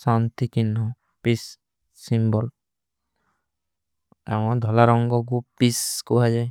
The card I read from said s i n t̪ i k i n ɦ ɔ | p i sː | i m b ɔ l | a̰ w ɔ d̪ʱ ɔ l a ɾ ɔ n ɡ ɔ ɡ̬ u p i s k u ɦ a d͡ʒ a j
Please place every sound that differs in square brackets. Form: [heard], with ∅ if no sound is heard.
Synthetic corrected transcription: s [a] n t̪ i k i n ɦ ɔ | p i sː | i m b ɔ l | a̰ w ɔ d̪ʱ ɔ l a ɾ ɔ [ŋ] ɡ ɔ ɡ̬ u p i s k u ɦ a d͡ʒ a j